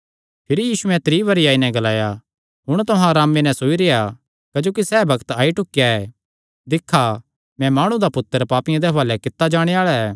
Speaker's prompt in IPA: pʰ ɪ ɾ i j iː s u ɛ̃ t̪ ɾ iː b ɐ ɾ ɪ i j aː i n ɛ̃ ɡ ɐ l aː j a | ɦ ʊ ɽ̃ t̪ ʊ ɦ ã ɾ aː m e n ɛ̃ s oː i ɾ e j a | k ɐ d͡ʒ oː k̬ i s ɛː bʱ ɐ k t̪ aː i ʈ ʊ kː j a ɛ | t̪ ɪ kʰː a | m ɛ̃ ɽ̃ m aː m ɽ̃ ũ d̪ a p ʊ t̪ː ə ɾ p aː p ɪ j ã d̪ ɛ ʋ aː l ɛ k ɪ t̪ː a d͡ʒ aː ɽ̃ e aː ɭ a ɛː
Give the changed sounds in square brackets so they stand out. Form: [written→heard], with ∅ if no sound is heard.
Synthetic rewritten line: pʰ ɪ ɾ i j iː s u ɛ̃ t̪ ɾ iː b ɐ ɾ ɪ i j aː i n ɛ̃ ɡ ɐ l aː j a | ɦ ʊ ɽ̃ t̪ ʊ ɦ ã ɾ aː m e n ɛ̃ s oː i ɾ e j a | k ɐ d͡ʒ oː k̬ i s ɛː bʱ ɐ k t̪ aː i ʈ ʊ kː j a ɛ | [t̪→d̪] ɪ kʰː a | m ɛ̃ [ɽ̃→∅] m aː [m→∅] ɽ̃ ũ d̪ a p ʊ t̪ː ə ɾ p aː p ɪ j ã d̪ ɛ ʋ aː l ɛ k ɪ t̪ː a d͡ʒ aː ɽ̃ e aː ɭ a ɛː

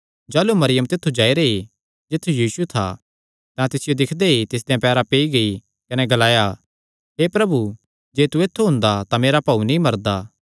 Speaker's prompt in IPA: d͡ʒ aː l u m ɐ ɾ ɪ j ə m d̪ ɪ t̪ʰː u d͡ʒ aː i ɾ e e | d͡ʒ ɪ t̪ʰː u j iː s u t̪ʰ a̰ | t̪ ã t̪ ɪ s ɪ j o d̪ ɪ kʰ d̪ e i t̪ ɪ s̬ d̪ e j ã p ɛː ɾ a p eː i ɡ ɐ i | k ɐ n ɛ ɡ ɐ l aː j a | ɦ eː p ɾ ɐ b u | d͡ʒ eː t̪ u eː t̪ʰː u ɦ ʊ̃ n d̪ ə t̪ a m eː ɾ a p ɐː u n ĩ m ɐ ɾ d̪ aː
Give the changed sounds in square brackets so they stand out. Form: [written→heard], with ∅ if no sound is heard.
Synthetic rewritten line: d͡ʒ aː l u m ɐ ɾ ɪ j ə m [d̪→t̪] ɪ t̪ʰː u d͡ʒ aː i ɾ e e | d͡ʒ ɪ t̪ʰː u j iː s u t̪ʰ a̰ | t̪ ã t̪ ɪ s ɪ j o d̪ ɪ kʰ d̪ e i t̪ ɪ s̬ d̪ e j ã p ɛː ɾ a p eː i ɡ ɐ i | k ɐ n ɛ ɡ ɐ l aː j a | ɦ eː p ɾ ɐ b u | d͡ʒ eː t̪ u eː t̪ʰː u ɦ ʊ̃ n d̪ [ə→a] t̪ a m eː ɾ a p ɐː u n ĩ m ɐ ɾ d̪ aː

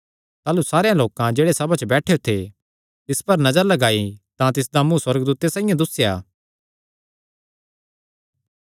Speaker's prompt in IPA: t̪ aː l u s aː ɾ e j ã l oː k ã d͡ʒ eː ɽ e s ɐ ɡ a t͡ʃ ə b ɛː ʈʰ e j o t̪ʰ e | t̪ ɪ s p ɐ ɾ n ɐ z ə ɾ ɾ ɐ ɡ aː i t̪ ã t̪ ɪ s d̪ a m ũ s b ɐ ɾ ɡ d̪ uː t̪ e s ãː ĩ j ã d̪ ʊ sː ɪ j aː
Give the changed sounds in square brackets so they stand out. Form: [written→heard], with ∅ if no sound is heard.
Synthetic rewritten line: t̪ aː l u s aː ɾ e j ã l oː k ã d͡ʒ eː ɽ e s ɐ [ɡ→b] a t͡ʃ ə b ɛː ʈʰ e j o t̪ʰ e | t̪ ɪ s p ɐ ɾ n ɐ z ə ɾ [ɾ→l] ɐ ɡ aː i t̪ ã t̪ ɪ s d̪ a m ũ s [b→w] ɐ ɾ ɡ d̪ uː t̪ e s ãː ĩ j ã d̪ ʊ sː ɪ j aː

